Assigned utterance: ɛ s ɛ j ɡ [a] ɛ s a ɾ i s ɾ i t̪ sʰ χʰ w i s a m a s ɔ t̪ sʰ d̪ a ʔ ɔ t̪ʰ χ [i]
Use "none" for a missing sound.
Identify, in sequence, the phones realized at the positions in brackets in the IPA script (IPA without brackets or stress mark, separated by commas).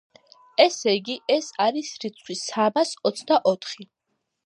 i, i